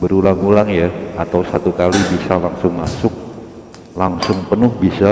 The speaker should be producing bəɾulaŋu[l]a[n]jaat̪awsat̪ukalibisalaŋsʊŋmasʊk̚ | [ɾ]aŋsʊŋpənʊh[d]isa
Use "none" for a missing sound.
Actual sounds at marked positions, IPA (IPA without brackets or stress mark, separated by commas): l, ŋ, l, b